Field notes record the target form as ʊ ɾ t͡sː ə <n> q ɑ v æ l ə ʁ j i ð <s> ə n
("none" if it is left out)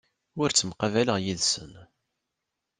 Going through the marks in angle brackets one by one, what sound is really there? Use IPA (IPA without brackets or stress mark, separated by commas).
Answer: m, s